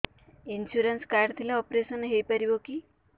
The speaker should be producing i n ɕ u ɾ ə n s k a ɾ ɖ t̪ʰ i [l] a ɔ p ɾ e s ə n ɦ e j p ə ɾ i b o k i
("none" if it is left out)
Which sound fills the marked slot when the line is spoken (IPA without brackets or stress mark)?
l